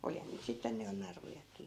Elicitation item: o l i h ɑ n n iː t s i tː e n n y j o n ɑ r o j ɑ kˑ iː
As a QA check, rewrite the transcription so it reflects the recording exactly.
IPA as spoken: o l i h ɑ n n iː t s i tː e n n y j o n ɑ r u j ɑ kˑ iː